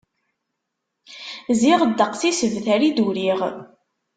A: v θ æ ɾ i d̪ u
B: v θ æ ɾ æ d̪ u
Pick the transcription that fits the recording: A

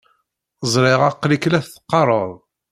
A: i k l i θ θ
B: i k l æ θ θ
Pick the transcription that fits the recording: B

